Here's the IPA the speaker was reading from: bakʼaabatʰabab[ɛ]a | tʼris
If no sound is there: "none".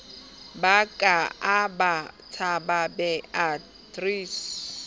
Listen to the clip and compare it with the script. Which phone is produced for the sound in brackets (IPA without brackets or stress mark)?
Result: ɛ